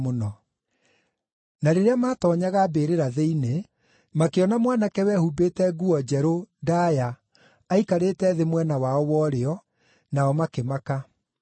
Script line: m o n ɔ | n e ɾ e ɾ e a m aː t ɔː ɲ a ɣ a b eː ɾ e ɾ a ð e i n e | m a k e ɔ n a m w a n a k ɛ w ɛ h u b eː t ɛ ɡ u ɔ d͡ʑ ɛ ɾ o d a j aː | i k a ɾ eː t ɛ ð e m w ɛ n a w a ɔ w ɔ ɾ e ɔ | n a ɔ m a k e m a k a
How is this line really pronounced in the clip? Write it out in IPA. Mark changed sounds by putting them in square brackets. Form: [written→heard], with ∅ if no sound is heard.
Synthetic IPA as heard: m o n ɔ | n [e→a] ɾ e ɾ e a m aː t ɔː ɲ a ɣ a b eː ɾ e ɾ a ð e i n e | m a k e ɔ n a m w a n a k ɛ w ɛ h u b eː t ɛ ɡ u ɔ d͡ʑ ɛ ɾ o d a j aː | i k a ɾ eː t ɛ ð e m w ɛ n a w a ɔ w ɔ ɾ e ɔ | n a ɔ m a k e m a k a